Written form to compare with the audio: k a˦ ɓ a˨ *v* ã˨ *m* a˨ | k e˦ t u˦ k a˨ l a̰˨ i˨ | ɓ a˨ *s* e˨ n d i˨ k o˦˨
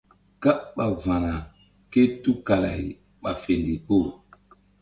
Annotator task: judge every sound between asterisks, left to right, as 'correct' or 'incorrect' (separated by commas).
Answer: correct, incorrect, incorrect